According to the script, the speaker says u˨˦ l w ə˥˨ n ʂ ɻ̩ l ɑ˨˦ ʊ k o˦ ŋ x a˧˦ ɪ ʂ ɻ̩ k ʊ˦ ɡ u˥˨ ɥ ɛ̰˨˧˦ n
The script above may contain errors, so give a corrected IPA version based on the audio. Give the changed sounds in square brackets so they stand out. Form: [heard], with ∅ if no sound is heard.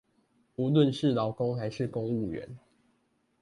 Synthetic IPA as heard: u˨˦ l w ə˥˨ n ʂ ɻ̩ l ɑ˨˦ ʊ k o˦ ŋ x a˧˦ ɪ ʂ ɻ̩ k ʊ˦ [ŋ] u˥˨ ɥ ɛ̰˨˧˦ n